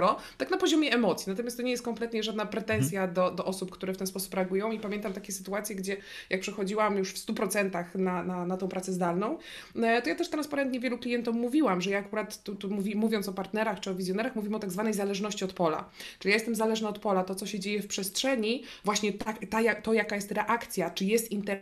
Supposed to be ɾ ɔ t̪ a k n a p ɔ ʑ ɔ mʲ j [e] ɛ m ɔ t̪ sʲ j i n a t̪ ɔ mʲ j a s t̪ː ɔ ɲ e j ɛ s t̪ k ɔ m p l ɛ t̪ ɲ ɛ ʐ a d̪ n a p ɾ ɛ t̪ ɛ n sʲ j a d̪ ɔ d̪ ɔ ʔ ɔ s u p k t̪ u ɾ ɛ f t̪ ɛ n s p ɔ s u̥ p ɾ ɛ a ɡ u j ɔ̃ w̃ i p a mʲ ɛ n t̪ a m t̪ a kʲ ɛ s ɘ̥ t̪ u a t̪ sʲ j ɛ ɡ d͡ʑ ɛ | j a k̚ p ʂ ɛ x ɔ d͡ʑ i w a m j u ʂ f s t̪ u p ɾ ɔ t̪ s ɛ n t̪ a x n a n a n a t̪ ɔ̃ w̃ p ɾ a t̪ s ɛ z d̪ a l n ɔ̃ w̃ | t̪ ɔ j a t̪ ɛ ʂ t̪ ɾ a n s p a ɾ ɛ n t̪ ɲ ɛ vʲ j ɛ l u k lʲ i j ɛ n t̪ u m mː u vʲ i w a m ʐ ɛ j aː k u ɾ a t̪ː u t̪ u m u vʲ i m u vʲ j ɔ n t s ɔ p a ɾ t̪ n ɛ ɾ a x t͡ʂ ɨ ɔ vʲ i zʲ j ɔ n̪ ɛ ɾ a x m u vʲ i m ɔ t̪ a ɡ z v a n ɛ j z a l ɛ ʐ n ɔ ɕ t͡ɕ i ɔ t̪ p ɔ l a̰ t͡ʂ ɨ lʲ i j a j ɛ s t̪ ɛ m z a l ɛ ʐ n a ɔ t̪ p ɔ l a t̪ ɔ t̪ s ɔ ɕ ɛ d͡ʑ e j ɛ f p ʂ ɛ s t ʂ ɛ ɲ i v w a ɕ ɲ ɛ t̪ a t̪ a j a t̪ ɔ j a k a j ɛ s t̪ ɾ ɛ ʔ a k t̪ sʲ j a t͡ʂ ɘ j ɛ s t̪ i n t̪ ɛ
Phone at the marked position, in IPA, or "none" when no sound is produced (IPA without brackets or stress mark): ɛ